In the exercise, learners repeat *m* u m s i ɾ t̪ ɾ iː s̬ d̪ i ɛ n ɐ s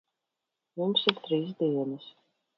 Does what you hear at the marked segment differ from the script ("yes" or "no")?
no